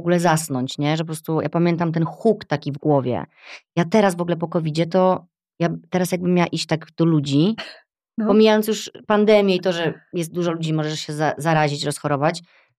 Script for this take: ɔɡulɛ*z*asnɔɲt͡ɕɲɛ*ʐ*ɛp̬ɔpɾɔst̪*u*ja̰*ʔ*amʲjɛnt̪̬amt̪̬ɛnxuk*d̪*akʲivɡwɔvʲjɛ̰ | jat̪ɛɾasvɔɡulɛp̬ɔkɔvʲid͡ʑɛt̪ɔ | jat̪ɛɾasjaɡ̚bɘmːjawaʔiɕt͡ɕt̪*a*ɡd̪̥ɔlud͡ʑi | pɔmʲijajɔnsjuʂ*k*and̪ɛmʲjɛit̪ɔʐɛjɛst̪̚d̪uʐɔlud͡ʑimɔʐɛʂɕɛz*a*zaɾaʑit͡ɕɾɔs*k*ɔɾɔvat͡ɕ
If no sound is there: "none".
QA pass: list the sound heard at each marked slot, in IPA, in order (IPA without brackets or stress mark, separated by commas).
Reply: z, ʐ, u, p, t̪, a, p, a, x